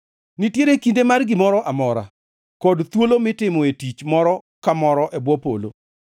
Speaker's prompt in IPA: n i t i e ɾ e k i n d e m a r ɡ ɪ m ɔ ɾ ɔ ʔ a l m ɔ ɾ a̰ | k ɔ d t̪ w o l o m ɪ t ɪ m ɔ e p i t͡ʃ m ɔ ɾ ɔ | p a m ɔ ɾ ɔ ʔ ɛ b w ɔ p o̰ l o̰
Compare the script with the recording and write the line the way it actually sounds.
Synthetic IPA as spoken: n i t j e ɾ e k i n d e m a r ɡ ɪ m ɔ ɾ ɔ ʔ a m ɔ ɾ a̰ | k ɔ d t̪ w o l o m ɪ t ɪ m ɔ e t i t͡ʃ m ɔ ɾ ɔ | k a m ɔ ɾ ɔ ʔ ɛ b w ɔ p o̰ l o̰